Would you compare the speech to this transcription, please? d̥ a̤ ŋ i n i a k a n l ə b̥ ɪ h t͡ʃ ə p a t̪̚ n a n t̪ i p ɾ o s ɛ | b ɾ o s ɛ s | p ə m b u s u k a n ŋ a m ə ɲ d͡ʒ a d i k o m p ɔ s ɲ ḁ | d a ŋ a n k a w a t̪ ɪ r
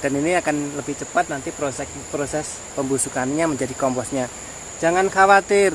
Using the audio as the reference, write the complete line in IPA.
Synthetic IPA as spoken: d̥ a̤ n i n i a k a n l ə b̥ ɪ h t͡ʃ ə p a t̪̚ n a n t̪ i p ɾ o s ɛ | p ɾ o s ɛ s | p ə m b u s u k a n ɲ a m ə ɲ d͡ʒ a d i k ɔ m p ɔ s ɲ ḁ | d͡ʒ a ŋ a n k a w a t̪ ɪ r